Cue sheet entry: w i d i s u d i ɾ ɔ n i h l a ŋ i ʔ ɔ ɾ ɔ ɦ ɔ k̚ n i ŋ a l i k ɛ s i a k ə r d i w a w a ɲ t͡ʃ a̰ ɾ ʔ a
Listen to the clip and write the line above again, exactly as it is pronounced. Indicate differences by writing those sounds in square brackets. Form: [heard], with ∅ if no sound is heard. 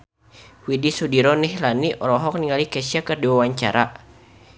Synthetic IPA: w i d i s u d i ɾ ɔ n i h l a [n] i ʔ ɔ ɾ ɔ ɦ ɔ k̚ n i ŋ a l i k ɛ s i a k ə r d i w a w a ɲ t͡ʃ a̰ ɾ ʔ a